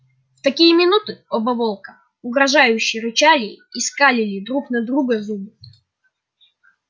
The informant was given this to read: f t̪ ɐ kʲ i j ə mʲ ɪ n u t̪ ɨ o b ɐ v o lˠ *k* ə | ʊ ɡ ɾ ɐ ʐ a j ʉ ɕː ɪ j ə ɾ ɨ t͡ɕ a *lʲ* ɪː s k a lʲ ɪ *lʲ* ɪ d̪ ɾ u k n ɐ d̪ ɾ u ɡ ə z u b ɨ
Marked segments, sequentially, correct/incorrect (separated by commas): correct, correct, correct